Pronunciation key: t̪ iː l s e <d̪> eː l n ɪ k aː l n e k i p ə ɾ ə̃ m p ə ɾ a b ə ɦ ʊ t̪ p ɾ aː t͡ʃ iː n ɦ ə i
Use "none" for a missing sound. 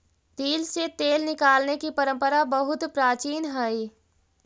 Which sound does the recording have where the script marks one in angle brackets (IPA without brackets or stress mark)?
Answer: t̪